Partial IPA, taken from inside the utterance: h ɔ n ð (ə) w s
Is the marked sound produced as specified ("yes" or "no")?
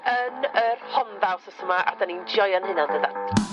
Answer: no